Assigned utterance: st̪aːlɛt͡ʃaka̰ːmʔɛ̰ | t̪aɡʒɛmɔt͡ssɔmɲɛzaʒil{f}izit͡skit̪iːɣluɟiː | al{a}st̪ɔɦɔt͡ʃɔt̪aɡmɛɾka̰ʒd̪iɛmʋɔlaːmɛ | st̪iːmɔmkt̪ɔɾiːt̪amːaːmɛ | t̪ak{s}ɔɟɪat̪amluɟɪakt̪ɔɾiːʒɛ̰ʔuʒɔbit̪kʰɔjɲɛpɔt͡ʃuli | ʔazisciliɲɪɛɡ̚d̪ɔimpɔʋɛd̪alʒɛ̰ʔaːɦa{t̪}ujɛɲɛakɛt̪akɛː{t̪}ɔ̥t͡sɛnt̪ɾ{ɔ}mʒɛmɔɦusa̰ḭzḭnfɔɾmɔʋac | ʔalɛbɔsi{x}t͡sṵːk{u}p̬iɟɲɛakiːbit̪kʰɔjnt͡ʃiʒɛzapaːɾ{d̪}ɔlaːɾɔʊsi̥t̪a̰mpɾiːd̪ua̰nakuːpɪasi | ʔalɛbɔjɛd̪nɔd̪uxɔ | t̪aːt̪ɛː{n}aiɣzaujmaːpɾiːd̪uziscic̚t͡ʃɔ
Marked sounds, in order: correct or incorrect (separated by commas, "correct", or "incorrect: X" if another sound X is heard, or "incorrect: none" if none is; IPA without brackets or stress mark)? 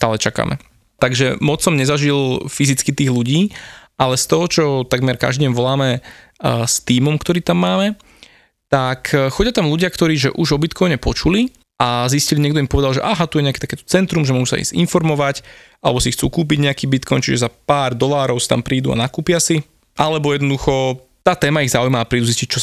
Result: correct, incorrect: ɛ, incorrect: x, correct, correct, incorrect: u, correct, incorrect: uː, correct, incorrect: m